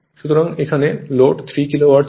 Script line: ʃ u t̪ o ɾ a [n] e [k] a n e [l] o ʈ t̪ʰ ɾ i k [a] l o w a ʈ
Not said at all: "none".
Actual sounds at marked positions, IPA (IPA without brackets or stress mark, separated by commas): ŋ, kʰ, l, i